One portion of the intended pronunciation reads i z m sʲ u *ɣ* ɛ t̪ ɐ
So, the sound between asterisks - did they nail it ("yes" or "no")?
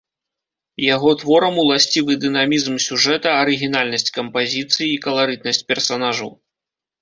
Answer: no